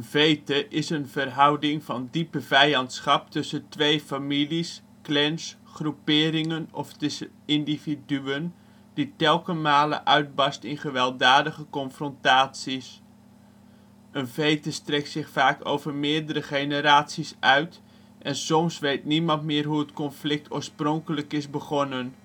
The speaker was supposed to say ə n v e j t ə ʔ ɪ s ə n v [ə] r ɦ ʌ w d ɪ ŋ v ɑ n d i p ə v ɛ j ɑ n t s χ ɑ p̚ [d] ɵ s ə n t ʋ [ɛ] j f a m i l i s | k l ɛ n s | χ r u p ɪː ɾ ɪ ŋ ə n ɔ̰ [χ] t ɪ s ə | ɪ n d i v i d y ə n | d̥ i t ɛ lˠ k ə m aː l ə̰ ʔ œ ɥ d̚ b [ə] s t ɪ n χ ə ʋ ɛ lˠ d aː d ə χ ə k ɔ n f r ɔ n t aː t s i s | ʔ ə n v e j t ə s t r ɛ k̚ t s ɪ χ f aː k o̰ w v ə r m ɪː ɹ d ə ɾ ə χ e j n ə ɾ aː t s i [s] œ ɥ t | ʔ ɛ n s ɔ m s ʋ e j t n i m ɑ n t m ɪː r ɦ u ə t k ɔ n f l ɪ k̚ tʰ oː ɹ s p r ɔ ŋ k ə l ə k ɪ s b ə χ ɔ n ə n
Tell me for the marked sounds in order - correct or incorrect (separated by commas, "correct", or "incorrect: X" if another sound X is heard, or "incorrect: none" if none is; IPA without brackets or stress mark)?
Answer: correct, incorrect: t, incorrect: e, incorrect: f, incorrect: ɑ, correct